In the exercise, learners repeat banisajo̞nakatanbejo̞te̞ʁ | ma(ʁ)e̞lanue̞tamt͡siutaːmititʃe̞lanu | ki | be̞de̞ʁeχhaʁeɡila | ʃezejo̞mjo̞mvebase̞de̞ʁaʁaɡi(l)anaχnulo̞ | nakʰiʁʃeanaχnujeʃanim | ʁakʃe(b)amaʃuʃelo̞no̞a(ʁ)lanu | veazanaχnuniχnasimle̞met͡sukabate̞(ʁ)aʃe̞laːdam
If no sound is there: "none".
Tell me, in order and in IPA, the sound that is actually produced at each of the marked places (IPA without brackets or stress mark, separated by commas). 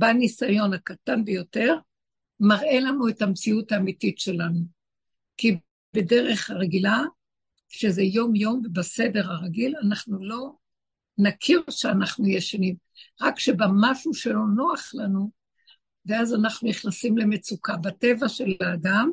ʁ, l, b, χ, v